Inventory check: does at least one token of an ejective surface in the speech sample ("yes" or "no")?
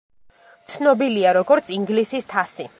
no